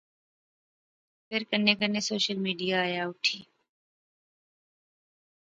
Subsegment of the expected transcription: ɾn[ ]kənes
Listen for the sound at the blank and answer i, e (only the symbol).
e